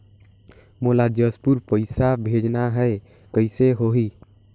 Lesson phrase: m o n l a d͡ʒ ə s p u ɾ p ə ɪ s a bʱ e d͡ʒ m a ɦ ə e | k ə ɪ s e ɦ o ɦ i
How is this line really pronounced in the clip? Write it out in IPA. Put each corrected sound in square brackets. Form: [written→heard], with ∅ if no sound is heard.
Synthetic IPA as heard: m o [n→∅] l a d͡ʒ ə s p u ɾ p ə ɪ s a bʱ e d͡ʒ [m→n] a ɦ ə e | k ə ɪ s e ɦ o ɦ i